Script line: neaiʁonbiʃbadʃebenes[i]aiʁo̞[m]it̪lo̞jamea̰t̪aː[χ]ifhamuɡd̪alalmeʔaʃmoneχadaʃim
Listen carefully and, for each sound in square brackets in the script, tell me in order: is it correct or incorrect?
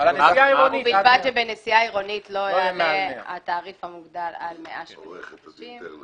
correct, incorrect: n, incorrect: ʁ

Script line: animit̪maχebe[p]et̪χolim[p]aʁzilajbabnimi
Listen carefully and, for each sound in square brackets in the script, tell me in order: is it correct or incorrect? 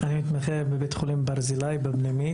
incorrect: b, incorrect: b

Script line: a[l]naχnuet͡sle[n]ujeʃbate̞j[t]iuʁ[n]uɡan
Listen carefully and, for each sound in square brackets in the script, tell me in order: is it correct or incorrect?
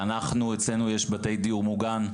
incorrect: none, correct, incorrect: d, incorrect: m

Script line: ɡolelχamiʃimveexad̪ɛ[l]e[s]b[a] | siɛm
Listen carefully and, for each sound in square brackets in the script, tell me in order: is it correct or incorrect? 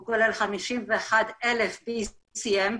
correct, incorrect: f, incorrect: i

